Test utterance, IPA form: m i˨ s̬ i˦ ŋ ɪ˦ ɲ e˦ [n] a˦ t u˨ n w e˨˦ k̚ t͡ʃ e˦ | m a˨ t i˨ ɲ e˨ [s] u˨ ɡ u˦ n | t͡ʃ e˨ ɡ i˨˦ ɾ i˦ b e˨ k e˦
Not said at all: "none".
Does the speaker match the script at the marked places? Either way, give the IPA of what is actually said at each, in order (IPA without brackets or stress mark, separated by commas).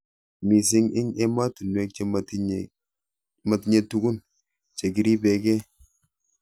m, t